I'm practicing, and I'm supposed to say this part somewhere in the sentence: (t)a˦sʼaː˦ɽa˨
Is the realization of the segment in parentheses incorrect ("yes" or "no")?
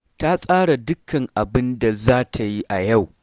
no